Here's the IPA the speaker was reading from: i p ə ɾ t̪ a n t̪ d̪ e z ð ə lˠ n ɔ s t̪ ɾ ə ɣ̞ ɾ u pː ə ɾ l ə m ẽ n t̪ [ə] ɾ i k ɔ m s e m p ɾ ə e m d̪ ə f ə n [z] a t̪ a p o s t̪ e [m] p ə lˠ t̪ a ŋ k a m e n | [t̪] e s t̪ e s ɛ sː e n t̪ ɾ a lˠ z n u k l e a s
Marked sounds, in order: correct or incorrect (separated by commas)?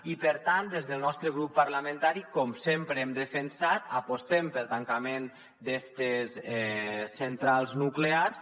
incorrect, incorrect, correct, incorrect